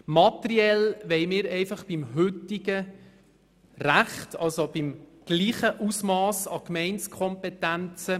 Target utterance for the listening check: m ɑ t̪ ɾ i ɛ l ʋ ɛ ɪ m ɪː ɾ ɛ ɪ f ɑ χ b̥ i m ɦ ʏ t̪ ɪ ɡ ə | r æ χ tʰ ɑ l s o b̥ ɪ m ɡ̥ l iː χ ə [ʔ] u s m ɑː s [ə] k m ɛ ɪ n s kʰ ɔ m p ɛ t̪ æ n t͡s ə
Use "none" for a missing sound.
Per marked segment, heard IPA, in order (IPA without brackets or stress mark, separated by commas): ʔ, ɑ